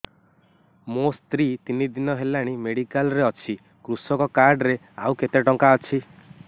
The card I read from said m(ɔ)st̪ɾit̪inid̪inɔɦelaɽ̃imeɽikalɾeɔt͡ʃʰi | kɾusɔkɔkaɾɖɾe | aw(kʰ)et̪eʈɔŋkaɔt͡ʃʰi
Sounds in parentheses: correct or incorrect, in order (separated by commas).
incorrect, incorrect